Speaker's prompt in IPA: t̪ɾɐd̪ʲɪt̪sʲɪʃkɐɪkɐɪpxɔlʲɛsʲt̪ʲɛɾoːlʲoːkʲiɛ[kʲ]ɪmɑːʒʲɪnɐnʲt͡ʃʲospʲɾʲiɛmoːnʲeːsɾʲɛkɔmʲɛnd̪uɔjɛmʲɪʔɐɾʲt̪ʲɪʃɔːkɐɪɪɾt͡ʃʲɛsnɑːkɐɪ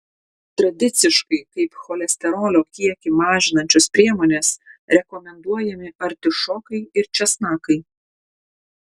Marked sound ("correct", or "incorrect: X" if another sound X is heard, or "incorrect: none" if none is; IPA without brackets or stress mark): correct